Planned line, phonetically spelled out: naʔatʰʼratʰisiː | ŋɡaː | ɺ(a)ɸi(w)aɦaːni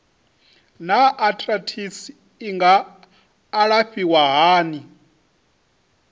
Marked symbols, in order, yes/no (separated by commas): yes, yes